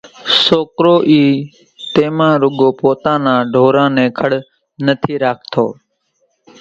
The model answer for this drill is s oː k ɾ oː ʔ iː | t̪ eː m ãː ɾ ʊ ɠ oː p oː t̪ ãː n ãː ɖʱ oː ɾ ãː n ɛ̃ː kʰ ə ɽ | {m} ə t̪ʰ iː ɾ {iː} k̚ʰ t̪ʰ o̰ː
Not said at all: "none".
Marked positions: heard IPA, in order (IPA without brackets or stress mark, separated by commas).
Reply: n, aː